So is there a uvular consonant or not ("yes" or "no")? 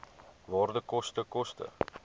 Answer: no